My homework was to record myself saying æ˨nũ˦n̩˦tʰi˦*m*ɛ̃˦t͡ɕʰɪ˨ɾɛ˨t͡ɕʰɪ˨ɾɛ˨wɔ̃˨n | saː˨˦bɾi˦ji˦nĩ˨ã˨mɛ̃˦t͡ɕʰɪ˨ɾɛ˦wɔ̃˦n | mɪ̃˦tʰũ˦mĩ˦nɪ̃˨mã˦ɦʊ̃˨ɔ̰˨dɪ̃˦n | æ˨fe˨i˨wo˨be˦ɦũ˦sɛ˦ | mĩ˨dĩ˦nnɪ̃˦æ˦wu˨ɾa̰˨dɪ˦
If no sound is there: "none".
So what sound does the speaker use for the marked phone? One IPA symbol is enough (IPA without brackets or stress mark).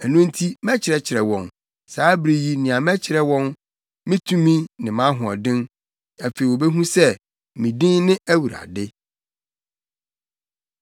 m